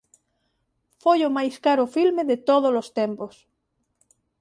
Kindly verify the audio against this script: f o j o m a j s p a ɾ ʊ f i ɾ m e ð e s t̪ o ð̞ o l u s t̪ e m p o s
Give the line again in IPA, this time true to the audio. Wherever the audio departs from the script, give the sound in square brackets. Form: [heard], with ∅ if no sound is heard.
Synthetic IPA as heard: f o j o m a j s [k] a ɾ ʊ f i [l] m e ð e [∅] t̪ o ð̞ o l [o] s t̪ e m p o s